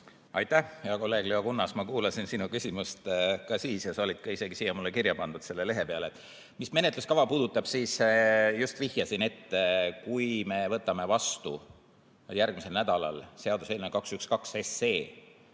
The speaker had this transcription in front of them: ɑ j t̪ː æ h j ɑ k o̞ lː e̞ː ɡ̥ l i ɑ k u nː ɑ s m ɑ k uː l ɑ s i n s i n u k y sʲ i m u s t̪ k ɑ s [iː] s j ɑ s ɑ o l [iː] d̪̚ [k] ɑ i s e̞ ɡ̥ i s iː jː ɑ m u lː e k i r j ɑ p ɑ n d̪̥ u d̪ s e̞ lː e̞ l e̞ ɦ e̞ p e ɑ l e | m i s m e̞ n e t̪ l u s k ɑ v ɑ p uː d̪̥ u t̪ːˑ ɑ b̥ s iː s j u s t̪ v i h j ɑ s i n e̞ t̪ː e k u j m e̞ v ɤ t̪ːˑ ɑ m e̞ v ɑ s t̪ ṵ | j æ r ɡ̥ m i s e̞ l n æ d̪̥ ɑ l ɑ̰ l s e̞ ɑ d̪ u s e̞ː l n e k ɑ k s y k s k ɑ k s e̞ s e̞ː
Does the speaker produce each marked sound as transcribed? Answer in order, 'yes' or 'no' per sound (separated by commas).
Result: yes, no, yes